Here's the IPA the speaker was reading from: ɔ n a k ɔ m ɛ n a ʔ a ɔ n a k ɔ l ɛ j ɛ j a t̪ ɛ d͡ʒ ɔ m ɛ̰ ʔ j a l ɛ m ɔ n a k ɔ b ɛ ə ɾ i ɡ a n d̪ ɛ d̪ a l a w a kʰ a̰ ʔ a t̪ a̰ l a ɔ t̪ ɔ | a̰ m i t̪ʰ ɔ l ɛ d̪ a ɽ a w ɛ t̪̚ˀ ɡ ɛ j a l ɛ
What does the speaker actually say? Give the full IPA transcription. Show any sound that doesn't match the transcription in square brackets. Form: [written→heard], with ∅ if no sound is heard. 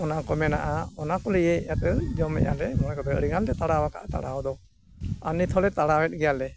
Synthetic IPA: ɔ n a k ɔ m ɛ n a ʔ a ɔ n a k ɔ l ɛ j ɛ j a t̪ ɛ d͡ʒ ɔ m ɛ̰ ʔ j a l ɛ m ɔ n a k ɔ b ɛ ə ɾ i ɡ a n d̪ ɛ [d̪→t̪] a [l→ɽ] a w a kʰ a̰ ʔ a t̪ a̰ [l→ɽ] a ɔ [t̪→d̪] ɔ | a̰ [m→n] i t̪ʰ ɔ l ɛ [d̪→t̪] a ɽ a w ɛ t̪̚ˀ ɡ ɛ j a l ɛ